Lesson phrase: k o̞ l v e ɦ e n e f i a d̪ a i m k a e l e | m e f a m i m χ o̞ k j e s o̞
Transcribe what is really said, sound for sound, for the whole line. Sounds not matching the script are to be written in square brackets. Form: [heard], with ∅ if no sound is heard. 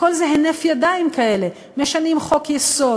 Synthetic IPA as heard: k o̞ l [z] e ɦ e n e f [j] a d̪ a i m k a e l e | m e [ʃ] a [n] i m χ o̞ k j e s o̞